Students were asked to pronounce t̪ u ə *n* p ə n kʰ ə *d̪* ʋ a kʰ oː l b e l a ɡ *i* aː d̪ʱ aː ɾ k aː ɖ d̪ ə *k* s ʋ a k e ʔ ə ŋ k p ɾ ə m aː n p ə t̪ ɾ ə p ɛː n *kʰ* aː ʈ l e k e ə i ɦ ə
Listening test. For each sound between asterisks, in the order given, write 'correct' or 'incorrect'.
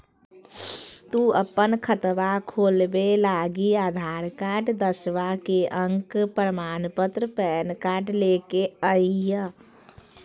incorrect: none, incorrect: t̪, correct, incorrect: none, incorrect: k

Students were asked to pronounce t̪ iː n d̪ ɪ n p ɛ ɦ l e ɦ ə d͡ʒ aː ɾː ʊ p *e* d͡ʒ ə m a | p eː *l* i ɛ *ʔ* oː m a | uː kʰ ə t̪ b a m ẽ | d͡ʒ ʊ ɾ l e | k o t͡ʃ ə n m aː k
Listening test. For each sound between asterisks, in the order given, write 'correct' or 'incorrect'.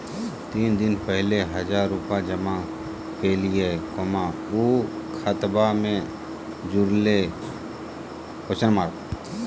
incorrect: a, correct, incorrect: k

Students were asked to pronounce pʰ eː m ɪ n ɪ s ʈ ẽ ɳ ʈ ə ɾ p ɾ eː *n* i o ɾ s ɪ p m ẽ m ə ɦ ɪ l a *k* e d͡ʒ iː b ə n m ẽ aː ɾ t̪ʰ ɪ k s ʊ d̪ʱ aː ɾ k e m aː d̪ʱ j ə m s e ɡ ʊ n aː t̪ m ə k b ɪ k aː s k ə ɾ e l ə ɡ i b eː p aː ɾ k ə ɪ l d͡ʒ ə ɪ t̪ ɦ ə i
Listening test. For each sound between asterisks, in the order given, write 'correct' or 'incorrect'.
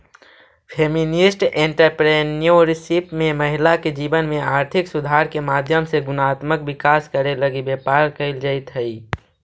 correct, correct

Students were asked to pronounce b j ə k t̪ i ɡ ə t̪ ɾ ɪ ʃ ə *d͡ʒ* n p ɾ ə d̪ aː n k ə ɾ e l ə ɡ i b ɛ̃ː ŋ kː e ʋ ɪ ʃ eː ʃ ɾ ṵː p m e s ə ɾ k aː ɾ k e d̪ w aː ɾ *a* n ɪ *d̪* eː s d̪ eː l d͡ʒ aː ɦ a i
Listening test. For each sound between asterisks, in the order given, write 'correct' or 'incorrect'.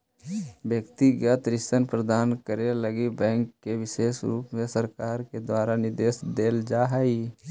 incorrect: none, correct, correct

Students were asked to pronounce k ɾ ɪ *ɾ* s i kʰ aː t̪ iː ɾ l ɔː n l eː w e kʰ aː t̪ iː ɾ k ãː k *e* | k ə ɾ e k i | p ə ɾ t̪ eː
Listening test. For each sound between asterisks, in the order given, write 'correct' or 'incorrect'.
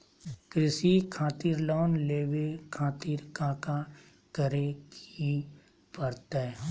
incorrect: none, incorrect: a

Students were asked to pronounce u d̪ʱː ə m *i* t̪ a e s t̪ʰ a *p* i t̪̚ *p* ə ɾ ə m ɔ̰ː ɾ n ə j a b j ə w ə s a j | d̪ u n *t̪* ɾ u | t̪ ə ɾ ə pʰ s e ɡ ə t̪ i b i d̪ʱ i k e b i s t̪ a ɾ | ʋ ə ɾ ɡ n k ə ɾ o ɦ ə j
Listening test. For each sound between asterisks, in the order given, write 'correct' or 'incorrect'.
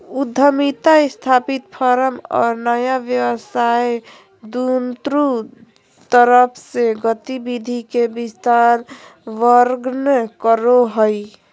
correct, correct, incorrect: pʰ, correct

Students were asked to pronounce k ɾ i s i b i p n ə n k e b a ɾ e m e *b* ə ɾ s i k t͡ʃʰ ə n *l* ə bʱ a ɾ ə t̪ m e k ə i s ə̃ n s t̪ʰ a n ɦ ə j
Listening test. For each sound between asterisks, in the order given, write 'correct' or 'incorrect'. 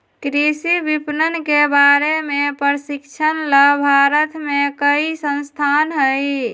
incorrect: p, correct

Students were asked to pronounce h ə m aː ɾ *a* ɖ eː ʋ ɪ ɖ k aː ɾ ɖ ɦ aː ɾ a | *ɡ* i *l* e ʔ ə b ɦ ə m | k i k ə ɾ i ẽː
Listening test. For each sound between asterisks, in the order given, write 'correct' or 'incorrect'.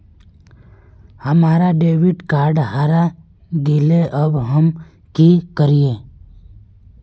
correct, correct, correct

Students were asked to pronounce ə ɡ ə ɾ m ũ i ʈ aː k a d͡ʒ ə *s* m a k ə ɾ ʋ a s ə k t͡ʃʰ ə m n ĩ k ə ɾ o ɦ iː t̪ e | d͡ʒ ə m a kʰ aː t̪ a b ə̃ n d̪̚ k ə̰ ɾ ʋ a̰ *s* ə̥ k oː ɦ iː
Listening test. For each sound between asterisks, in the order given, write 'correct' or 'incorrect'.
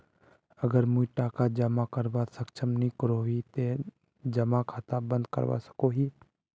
incorrect: none, correct

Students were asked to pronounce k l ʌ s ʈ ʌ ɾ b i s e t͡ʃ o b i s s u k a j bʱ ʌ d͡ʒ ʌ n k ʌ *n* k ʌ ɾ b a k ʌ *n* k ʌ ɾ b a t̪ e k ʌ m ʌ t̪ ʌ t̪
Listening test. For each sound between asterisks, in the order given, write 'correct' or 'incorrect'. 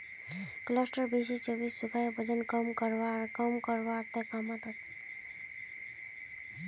incorrect: m, incorrect: m

